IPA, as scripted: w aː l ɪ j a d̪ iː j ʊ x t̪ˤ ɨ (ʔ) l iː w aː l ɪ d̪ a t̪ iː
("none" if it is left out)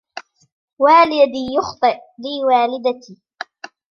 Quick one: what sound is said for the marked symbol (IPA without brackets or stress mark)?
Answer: ʔ